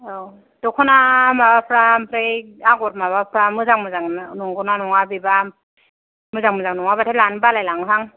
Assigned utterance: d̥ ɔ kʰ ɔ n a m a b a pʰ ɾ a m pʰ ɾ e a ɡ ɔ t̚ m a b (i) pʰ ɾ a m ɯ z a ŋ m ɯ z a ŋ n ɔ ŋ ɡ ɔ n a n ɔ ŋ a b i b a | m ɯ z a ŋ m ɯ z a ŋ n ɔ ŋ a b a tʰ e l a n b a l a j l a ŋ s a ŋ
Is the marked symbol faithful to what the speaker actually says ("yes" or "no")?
no